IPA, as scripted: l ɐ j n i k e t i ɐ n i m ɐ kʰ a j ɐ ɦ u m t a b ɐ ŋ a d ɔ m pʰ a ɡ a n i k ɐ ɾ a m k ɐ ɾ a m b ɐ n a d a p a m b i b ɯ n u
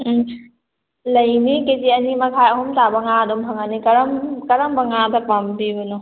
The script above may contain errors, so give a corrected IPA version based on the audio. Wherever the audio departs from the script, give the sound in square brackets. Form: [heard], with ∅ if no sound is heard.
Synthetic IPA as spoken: l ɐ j n i k e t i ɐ n i m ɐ kʰ a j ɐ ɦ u m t a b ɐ ŋ a d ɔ m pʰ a [ŋ] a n i k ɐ ɾ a m k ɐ ɾ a m b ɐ [ŋ] a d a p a m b i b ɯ n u